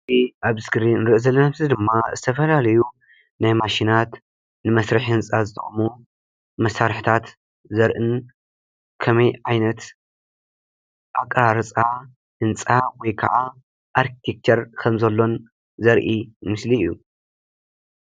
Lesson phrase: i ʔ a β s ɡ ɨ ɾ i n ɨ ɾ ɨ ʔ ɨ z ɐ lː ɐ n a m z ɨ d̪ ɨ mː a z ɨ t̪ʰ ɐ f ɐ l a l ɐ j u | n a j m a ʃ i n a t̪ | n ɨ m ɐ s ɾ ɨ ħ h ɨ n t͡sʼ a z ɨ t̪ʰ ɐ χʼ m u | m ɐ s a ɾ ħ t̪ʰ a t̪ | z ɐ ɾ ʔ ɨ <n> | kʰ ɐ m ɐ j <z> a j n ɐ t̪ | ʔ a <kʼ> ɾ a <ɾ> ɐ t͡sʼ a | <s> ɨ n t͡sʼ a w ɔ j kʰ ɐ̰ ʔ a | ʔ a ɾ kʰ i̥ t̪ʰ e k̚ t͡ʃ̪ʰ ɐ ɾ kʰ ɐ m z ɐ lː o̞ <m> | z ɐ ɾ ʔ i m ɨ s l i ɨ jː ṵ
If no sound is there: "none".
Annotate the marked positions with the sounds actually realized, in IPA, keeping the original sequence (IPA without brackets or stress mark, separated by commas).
n, ʕ, kʼ, ɾ, h, n